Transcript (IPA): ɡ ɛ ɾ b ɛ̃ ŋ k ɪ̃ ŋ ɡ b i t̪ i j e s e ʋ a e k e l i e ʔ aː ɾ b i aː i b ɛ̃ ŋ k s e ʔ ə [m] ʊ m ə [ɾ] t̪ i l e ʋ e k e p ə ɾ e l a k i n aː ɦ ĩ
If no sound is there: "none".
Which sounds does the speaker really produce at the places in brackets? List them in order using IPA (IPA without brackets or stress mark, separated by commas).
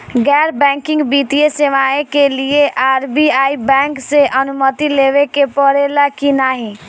n, none